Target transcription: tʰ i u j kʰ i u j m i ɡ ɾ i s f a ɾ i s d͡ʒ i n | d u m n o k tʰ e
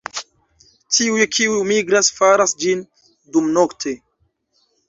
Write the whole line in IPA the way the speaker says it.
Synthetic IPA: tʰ i u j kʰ i u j m i ɡ ɾ a s f a ɾ a s d͡ʒ i n | d u m n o k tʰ e